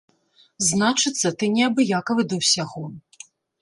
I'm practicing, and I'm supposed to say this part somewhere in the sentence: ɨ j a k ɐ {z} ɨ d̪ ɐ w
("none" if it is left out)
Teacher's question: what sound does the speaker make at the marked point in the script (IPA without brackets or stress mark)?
v